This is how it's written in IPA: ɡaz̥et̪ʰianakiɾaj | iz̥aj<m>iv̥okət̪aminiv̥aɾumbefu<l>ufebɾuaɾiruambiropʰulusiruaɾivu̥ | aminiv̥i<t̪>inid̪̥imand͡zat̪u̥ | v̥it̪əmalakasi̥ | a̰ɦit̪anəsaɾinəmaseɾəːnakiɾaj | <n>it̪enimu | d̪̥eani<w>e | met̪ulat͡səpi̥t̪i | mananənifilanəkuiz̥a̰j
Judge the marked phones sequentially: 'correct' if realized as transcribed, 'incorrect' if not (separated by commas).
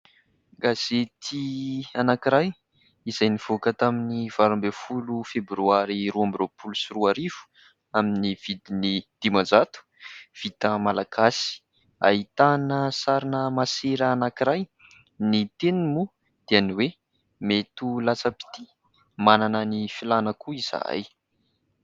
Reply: incorrect, correct, incorrect, correct, correct